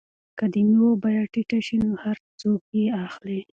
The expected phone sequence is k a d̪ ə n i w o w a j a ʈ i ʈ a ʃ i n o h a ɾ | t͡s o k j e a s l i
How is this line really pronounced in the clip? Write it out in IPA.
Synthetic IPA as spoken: k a d̪ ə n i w o b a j a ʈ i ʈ a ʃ i n o h a ɾ | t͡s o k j e a x l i